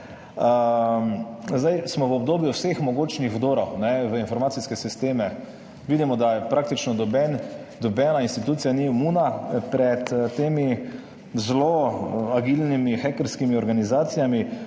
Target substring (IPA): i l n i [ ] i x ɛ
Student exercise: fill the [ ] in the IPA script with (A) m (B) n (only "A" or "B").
A